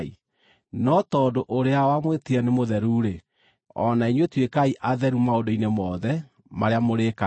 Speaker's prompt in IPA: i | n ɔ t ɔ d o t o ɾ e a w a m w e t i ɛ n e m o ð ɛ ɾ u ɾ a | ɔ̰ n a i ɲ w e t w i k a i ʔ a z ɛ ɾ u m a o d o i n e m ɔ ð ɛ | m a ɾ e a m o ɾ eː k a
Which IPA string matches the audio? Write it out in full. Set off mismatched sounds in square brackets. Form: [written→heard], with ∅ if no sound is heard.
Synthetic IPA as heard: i | n ɔ t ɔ d o [t→ʔ] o ɾ e a w a m w e t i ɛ n e m o ð ɛ ɾ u ɾ [a→e] | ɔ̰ n a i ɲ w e t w [i→e] k a i ʔ a [z→ð] ɛ ɾ u m a o d o i n e m ɔ ð ɛ | m a ɾ e a m o ɾ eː k a